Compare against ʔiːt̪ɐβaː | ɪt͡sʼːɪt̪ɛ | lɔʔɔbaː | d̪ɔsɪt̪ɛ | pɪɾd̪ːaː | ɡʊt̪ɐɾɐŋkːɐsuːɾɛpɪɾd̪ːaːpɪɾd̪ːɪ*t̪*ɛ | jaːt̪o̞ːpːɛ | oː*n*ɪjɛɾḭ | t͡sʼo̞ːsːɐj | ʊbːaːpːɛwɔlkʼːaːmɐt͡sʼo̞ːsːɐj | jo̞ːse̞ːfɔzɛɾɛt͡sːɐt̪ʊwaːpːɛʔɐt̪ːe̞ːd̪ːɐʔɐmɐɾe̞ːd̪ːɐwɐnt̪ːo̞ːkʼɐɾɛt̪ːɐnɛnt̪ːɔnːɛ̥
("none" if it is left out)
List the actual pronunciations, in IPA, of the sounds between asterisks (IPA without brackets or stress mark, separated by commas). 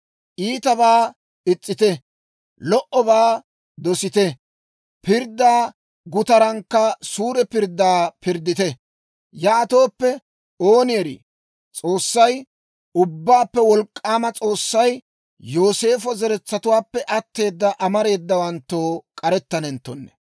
t̪, n